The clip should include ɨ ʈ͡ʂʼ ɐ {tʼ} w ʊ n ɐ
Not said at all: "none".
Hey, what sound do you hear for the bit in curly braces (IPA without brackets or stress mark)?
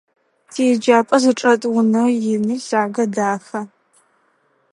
tʼ